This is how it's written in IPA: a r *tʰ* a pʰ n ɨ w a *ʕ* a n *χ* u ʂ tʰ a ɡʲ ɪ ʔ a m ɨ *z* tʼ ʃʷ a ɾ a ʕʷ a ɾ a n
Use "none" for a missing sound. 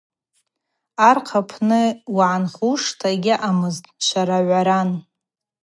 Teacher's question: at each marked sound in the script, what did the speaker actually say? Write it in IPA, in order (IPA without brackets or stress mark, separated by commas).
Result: qʰ, ʕ, χ, z